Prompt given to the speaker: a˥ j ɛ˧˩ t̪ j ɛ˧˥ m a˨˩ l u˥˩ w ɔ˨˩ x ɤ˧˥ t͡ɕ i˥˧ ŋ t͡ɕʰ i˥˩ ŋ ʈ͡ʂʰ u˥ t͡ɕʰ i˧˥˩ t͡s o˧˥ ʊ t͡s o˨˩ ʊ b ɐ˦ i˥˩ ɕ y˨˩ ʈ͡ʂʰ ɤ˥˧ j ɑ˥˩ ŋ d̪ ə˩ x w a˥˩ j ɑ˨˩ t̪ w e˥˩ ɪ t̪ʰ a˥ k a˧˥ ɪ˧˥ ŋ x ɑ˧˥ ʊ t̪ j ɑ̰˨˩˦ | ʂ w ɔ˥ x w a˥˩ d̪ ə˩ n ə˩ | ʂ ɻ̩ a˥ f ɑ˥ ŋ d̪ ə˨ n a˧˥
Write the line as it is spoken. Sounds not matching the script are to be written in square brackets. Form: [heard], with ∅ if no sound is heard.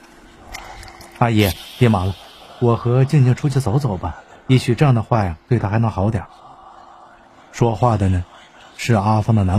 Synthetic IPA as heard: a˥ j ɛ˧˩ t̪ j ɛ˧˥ m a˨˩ l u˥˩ w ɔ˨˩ x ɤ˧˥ t͡ɕ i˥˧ ŋ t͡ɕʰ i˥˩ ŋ ʈ͡ʂʰ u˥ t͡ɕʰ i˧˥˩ t͡s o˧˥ ʊ t͡s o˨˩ ʊ b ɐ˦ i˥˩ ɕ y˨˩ [ʈ͡ʂ] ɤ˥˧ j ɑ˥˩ ŋ d̪ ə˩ x w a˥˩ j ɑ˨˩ t̪ w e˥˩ ɪ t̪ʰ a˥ [x] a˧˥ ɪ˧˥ ŋ x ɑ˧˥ ʊ t̪ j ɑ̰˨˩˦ | ʂ w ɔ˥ x w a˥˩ d̪ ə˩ n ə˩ | ʂ ɻ̩ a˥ f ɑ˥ ŋ d̪ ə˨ n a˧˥